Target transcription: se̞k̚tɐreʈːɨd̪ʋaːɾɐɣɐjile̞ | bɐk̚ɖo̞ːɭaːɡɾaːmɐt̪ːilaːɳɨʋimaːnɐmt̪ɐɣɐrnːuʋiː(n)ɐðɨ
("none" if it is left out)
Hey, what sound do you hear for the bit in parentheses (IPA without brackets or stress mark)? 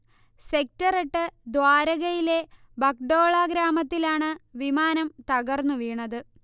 ɳ